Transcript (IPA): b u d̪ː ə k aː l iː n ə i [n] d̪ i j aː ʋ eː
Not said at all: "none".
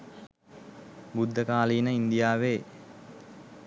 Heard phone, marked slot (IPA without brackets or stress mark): n